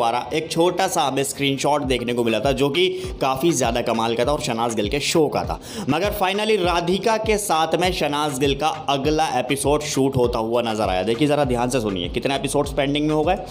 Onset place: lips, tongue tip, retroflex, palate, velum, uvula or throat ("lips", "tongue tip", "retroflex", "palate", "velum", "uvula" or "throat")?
tongue tip